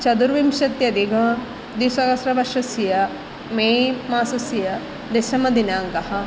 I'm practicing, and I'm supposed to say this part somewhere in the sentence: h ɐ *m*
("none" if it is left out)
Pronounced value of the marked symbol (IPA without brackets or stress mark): none